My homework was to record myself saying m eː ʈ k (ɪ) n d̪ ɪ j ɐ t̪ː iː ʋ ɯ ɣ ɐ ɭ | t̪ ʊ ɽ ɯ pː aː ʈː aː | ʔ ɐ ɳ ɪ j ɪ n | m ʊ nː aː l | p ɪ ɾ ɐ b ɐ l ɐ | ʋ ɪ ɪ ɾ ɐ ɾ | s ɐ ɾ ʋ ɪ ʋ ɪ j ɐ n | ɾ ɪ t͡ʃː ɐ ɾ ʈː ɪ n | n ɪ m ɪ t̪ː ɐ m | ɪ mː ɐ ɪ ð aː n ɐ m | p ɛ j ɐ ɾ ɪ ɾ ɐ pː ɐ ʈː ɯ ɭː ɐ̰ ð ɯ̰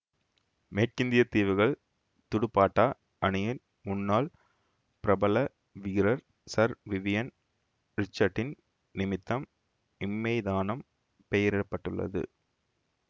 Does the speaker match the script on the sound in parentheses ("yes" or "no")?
yes